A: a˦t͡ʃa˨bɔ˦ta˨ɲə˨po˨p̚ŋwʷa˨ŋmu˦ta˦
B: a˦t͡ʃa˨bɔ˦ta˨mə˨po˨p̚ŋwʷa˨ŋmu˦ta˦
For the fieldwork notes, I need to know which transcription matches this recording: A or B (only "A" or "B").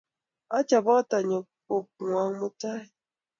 A